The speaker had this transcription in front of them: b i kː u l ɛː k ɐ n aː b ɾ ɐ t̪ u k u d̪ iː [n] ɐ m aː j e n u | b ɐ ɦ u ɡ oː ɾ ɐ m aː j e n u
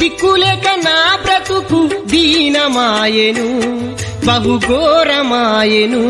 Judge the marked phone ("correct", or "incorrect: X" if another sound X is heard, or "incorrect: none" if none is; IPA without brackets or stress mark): correct